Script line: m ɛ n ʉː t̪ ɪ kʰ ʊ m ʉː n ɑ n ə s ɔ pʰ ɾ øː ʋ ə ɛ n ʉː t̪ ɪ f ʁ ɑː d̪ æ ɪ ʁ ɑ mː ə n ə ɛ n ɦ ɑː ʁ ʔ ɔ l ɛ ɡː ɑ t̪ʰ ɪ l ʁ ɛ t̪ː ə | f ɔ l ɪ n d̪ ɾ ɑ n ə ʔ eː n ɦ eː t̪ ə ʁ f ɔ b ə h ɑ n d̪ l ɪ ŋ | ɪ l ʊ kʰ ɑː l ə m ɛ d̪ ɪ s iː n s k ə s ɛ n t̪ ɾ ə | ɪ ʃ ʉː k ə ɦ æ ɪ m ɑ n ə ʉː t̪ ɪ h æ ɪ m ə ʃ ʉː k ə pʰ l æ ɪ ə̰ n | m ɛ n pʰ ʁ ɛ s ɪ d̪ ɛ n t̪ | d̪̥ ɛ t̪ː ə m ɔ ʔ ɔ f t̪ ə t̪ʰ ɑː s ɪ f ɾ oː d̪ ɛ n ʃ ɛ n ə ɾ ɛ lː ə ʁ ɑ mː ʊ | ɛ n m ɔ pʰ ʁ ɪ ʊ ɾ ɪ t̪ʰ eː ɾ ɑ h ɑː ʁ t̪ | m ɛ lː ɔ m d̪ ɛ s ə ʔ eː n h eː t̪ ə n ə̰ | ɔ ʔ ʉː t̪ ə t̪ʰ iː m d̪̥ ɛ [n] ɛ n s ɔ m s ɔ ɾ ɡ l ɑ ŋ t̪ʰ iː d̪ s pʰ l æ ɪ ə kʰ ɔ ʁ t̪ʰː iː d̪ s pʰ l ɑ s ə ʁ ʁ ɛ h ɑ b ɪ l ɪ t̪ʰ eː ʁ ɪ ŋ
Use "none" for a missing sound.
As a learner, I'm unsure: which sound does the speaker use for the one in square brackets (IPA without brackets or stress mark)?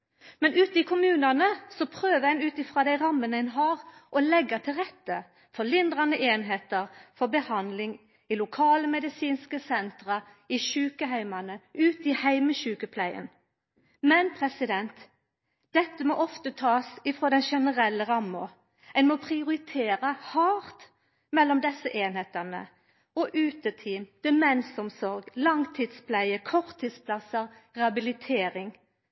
m